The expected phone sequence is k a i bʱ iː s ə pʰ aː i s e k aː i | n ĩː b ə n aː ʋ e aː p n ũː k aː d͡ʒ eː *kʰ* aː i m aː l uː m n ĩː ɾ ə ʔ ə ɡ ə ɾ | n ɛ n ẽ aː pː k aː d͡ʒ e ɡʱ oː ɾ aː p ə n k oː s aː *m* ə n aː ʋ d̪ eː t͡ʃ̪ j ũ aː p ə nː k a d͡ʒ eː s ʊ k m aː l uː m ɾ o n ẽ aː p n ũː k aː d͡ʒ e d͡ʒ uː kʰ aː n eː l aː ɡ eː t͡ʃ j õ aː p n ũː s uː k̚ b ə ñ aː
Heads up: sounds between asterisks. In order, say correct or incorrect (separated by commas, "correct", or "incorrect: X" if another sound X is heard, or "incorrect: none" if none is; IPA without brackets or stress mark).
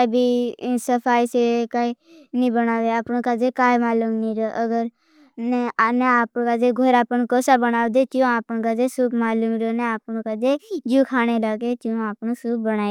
incorrect: k, incorrect: b